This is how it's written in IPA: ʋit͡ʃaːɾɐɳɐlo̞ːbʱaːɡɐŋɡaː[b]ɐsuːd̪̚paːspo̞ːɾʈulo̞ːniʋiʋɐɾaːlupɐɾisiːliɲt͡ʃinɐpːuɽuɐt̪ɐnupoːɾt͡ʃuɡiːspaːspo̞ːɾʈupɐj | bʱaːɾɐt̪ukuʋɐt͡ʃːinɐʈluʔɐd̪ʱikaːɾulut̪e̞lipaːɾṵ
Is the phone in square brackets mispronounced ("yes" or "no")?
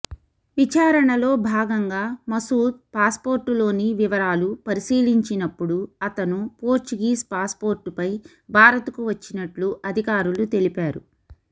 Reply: yes